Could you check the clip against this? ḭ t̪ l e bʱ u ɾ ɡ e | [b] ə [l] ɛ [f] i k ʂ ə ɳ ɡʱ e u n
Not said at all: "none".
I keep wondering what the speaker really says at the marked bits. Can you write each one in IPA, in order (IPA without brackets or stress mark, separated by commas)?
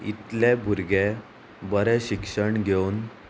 b, ɾ, ɕ